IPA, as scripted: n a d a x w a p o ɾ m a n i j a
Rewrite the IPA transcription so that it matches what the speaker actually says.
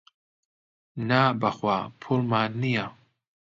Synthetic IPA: n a b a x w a pʰ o l m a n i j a